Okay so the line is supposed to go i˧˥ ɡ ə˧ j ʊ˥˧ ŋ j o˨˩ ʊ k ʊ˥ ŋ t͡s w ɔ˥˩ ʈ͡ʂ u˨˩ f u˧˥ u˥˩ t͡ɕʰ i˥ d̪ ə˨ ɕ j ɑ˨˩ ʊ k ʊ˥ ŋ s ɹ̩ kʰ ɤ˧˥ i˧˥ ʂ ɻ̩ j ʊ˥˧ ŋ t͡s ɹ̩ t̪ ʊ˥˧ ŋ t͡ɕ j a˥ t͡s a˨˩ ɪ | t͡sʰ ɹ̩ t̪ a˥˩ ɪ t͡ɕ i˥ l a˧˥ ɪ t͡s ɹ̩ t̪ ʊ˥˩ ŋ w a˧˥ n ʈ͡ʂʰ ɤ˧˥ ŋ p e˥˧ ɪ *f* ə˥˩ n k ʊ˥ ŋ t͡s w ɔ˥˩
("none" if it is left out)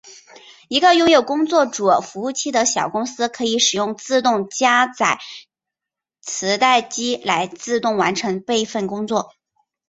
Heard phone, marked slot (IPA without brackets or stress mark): f